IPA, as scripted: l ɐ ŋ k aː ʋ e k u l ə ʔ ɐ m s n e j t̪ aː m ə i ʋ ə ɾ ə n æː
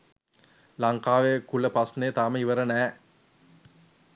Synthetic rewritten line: l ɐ ŋ k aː ʋ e k u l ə p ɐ s n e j t̪ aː m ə i ʋ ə ɾ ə n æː

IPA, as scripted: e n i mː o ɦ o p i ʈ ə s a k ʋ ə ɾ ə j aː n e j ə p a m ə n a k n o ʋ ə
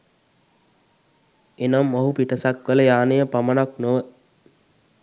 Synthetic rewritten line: e n a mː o ɦ u p i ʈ ə s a k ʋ ə l ə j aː n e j ə p a m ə n a k n o ʋ ə

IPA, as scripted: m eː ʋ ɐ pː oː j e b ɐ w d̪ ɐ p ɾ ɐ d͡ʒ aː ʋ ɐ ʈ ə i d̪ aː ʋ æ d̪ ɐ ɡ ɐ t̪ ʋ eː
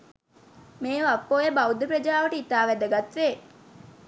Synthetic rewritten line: m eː ʋ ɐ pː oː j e b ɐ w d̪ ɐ p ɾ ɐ d͡ʒ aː ʋ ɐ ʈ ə i t̪ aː ʋ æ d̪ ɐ ɡ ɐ t̪ ʋ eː

